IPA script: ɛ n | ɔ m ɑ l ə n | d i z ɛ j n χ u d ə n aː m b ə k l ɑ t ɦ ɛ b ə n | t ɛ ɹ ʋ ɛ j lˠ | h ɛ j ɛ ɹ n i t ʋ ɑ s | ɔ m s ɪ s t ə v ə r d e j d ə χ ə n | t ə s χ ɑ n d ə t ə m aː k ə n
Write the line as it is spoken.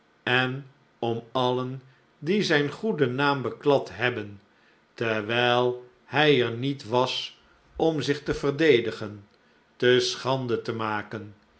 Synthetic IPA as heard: ɛ n | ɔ m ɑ l ə n | d i z ɛ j n χ u d ə n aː m b ə k l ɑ t ɦ ɛ b ə n | t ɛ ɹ ʋ ɛ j lˠ | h ɛ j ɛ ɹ n i t ʋ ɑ s | ɔ m z ɪ χ t ə v ə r d e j d ə χ ə n | t ə s χ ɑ n d ə t ə m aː k ə n